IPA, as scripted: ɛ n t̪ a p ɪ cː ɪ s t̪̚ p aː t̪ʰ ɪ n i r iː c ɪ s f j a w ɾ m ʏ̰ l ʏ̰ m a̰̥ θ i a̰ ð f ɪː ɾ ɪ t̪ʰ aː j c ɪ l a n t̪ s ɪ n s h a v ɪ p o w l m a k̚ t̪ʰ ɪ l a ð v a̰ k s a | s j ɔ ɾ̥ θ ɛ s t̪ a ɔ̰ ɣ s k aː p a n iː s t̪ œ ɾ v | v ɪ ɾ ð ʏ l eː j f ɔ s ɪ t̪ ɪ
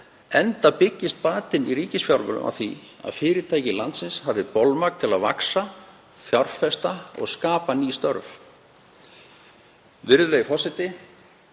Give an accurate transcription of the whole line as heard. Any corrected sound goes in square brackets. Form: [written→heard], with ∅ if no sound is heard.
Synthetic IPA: ɛ n t̪ a p ɪ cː ɪ s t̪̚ p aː [t̪ʰ→t̪] ɪ n i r iː c ɪ s f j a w ɾ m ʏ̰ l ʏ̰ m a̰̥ θ i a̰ ð f ɪː ɾ ɪ t̪ʰ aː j c ɪ l a n t̪ s ɪ n s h a v ɪ p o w l m a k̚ t̪ʰ ɪ l a ð v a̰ k s a | [s→f] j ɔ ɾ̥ [θ→f] ɛ s t̪ a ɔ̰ ɣ s k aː p a n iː s t̪ œ ɾ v | v ɪ ɾ ð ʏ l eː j f ɔ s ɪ t̪ ɪ